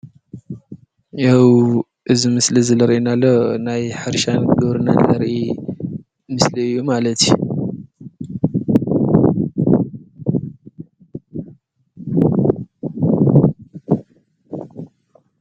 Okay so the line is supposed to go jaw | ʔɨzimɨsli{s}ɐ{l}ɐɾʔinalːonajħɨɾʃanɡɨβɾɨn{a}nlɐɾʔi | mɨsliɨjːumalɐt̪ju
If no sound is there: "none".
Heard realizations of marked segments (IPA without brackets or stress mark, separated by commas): z, l, a